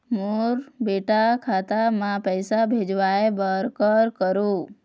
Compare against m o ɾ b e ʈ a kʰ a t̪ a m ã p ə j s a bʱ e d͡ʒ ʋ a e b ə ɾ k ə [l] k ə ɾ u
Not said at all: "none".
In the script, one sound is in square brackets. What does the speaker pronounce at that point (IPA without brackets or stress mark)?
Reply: ɾ